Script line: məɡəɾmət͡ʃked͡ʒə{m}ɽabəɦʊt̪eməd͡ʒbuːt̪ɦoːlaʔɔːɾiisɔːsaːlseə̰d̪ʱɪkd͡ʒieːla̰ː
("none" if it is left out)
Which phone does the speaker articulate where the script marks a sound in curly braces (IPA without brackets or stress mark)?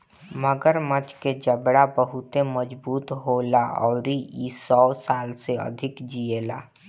b